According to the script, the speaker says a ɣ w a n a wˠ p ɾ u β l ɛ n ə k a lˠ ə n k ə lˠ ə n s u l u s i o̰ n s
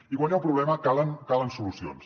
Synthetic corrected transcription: i ɣ w a ɲ a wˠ p ɾ u β l ɛ m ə k a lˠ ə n k a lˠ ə n s u l u s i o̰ n s